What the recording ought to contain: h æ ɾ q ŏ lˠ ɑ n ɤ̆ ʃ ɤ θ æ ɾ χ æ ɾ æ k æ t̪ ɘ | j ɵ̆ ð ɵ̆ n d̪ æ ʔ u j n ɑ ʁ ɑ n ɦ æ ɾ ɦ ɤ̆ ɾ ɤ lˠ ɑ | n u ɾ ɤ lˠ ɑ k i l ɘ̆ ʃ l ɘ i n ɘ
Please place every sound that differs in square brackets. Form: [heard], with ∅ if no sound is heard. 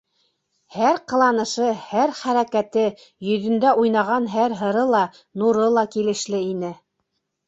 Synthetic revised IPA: h æ ɾ q [ɤ̆] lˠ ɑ n ɤ̆ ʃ ɤ [h] æ ɾ χ æ ɾ æ k æ t̪ ɘ | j ɵ̆ ð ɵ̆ n d̪ æ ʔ u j n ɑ ʁ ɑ n ɦ æ ɾ ɦ ɤ̆ ɾ ɤ lˠ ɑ | n u ɾ ɤ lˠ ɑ k i l ɘ̆ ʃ l ɘ i n ɘ